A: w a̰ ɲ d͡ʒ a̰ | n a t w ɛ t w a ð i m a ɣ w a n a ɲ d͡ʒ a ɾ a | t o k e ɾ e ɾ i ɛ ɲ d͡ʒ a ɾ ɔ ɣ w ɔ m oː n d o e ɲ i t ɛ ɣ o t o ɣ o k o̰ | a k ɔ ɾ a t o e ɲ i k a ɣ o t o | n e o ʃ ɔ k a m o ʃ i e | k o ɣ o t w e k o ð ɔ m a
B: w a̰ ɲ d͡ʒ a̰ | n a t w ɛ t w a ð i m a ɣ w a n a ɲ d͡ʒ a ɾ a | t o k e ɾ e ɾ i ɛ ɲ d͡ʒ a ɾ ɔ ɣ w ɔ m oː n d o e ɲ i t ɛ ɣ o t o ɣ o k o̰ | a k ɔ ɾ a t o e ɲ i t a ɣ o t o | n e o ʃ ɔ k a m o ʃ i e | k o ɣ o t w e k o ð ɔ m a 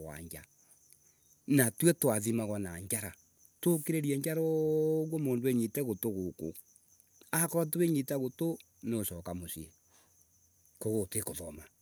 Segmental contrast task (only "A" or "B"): B